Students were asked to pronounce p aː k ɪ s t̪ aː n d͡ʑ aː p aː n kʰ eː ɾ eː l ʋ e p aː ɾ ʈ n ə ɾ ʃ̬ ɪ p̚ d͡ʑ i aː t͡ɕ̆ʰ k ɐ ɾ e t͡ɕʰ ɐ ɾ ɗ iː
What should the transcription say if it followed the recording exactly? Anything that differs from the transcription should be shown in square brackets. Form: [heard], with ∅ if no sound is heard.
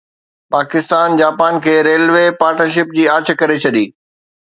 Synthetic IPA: p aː k ɪ s t̪ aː n d͡ʑ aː p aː n kʰ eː ɾ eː l ʋ e p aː ɾ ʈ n ə ɾ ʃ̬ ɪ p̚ d͡ʑ [iː] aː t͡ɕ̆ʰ k ɐ ɾ e t͡ɕʰ ɐ [∅] ɗ iː